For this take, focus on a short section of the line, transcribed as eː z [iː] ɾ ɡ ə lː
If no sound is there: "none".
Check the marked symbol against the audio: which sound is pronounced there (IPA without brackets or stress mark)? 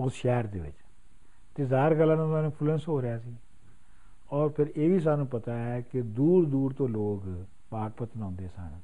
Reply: aː